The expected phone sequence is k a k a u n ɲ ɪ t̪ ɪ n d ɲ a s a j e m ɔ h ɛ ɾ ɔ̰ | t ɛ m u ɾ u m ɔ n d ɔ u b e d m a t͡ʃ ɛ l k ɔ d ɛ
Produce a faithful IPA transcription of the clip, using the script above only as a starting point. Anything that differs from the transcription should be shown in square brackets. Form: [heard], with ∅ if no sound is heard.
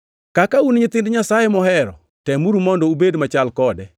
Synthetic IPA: k a k a u n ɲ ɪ t̪ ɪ n d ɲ a s a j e m ɔ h ɛ ɾ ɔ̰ | t ɛ m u ɾ u m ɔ n d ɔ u b e d m a t͡ʃ [a] l k ɔ d ɛ